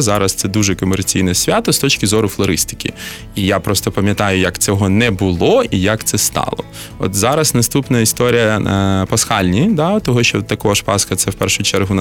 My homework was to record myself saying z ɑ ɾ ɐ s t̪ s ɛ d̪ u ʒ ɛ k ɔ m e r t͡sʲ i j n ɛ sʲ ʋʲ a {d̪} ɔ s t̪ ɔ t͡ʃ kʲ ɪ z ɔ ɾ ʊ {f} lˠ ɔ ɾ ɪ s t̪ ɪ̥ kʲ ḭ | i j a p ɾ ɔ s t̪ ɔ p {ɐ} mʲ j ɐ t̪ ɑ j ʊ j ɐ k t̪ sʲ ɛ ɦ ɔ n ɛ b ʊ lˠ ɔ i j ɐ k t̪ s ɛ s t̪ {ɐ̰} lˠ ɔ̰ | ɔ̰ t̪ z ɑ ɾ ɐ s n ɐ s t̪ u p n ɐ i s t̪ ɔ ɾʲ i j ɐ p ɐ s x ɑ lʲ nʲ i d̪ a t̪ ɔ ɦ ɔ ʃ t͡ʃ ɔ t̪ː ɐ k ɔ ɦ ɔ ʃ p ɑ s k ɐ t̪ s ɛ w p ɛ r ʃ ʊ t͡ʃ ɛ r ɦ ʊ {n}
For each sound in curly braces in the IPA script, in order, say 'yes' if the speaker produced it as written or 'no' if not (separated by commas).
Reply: no, yes, yes, no, yes